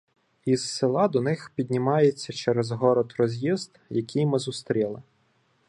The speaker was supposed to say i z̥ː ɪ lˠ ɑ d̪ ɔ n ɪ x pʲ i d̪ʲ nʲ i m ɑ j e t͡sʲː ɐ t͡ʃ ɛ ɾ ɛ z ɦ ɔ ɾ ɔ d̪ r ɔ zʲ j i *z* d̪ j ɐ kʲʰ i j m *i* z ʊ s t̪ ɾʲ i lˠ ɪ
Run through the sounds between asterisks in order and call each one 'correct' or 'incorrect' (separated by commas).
correct, incorrect